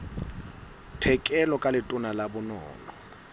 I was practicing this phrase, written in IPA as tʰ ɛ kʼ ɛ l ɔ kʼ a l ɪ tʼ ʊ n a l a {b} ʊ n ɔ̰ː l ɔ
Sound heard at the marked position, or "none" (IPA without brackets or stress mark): b